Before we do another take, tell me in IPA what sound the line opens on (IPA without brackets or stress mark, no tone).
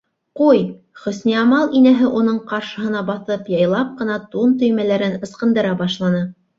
q